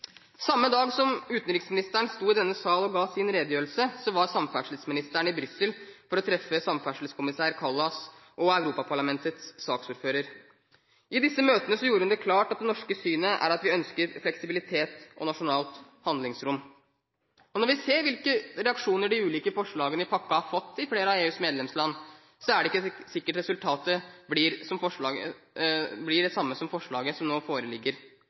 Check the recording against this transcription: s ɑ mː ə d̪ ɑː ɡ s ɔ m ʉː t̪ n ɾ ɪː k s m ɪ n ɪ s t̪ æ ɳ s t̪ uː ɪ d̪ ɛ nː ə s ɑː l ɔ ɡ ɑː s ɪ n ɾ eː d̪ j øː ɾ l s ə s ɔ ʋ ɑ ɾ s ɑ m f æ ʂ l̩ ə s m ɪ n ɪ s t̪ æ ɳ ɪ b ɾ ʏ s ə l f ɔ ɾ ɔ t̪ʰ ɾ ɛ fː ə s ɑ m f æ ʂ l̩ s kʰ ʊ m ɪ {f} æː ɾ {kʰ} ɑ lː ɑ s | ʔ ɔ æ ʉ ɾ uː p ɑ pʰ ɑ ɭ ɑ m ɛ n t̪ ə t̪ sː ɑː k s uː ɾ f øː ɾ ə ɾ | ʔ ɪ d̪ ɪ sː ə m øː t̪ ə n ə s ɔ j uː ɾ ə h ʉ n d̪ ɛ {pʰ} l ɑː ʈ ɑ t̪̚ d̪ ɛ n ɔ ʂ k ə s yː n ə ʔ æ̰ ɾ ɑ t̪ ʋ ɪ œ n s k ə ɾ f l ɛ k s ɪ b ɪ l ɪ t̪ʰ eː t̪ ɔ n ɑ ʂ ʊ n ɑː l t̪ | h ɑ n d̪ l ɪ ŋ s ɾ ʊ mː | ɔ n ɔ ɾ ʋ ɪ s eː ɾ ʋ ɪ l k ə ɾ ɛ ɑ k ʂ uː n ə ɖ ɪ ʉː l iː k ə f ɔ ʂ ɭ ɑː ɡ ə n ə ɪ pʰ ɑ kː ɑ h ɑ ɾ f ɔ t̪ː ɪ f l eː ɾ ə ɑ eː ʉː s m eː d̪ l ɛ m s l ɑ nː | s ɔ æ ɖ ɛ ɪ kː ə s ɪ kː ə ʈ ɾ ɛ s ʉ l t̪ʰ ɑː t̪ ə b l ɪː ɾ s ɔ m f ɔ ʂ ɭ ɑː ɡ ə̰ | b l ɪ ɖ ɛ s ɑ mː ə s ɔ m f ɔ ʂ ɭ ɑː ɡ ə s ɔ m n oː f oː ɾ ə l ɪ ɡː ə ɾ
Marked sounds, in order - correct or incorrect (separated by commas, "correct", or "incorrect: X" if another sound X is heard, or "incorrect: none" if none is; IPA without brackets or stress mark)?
incorrect: s, correct, incorrect: kʰ